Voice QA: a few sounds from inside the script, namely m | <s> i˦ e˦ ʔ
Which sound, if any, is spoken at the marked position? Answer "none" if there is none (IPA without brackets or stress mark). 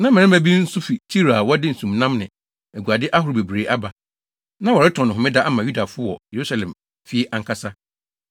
f